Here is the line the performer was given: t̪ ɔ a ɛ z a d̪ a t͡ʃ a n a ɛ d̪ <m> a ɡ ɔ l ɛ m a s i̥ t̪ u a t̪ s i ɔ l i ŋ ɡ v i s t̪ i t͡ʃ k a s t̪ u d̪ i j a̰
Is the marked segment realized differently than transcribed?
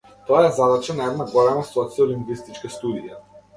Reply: yes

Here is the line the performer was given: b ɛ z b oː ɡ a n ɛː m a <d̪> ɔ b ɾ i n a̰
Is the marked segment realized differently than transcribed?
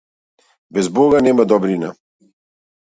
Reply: no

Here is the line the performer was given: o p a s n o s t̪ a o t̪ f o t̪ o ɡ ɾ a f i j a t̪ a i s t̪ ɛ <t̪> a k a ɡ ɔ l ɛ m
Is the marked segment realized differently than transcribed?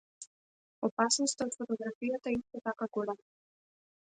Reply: no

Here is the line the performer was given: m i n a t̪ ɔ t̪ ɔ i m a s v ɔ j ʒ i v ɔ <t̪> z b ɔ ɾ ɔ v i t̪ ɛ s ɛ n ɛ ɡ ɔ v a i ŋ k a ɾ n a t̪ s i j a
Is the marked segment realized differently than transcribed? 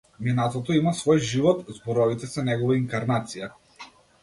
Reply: no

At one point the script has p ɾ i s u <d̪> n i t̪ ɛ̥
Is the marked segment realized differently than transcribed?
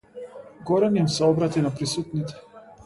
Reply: yes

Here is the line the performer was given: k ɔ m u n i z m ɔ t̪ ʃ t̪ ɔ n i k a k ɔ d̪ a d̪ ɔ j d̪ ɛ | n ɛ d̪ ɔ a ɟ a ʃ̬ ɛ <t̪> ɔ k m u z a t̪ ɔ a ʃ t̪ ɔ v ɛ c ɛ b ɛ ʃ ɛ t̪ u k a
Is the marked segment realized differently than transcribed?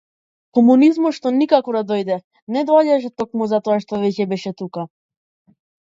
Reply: no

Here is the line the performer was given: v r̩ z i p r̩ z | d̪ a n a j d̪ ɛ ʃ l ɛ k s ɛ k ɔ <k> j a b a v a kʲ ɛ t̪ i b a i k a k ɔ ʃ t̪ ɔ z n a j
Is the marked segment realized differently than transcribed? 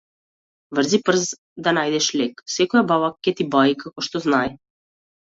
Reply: yes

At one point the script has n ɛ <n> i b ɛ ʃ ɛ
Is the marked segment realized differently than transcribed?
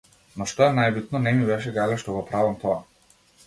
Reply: yes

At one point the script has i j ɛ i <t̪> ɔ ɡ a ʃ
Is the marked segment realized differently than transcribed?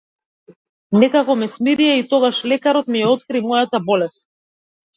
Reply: no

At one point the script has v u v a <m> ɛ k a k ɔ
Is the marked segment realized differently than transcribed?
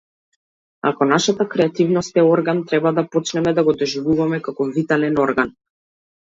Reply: no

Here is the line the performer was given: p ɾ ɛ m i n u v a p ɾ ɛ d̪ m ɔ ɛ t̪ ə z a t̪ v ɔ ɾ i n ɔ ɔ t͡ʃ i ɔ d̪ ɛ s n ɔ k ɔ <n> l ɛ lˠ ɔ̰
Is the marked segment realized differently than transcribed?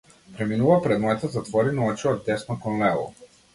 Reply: no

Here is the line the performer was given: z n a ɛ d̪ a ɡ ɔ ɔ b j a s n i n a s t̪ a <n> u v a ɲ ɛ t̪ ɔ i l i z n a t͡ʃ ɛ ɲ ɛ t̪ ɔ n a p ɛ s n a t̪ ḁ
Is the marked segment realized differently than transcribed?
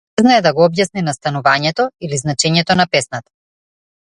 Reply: no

